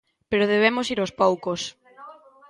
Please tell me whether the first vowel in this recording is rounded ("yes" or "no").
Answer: no